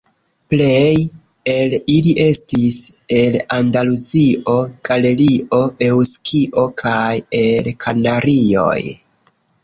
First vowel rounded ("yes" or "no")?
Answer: no